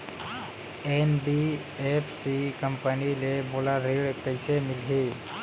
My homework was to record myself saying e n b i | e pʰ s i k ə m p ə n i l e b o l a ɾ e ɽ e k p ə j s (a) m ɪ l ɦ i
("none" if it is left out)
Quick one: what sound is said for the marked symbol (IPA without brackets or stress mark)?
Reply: e